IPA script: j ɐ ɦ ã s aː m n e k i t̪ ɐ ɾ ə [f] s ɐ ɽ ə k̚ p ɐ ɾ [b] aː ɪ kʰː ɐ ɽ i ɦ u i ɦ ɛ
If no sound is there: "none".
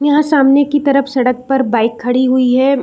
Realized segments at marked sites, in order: f, b

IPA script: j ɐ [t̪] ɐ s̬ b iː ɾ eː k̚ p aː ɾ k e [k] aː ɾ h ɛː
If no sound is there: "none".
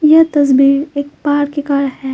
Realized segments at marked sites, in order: t̪, k

